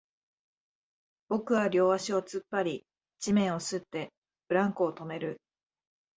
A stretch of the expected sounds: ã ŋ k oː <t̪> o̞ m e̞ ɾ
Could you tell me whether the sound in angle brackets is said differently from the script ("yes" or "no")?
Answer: no